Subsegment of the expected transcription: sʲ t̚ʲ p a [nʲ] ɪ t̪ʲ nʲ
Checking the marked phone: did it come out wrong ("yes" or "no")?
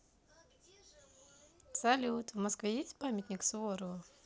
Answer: yes